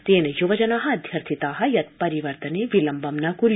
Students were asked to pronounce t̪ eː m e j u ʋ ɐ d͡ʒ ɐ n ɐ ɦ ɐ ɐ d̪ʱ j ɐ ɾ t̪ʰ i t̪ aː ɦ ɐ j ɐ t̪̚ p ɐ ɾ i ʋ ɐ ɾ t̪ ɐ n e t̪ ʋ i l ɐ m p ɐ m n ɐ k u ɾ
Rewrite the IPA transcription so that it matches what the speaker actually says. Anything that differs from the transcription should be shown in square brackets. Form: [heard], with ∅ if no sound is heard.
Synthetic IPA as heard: t̪ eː [n] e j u ʋ ɐ d͡ʒ ɐ n ɐ ɦ ɐ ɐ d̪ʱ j ɐ ɾ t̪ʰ i t̪ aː ɦ ɐ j ɐ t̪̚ p ɐ ɾ i ʋ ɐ ɾ t̪ ɐ n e [∅] ʋ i l ɐ m [b] ɐ m n ɐ k u ɾ